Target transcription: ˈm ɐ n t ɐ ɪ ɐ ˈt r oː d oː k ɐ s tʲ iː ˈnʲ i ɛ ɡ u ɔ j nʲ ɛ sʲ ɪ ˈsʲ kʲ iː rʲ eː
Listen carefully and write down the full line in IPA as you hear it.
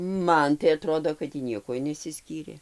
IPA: ˈm ɐ n t ɐ ɪ ɐ ˈt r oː d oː k ɐ t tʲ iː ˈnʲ i ɛ k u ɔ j nʲ ɛ sʲ ɪ ˈsʲ kʲ iː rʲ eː